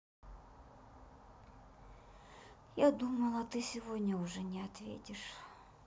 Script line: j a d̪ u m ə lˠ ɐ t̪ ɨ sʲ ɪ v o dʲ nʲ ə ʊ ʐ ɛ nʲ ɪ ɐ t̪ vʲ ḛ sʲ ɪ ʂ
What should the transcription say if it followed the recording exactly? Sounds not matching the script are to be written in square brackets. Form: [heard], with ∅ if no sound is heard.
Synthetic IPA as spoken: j a d̪ u m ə lˠ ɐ t̪ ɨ sʲ ɪ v o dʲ nʲ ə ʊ ʐ ɛ nʲ ɪ ɐ t̪ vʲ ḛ [tʲ] ɪ ʂ

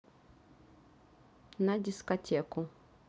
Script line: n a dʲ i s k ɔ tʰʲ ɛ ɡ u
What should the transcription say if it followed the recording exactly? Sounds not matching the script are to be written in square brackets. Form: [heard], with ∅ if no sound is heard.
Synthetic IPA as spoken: n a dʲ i s k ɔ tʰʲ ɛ [k] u

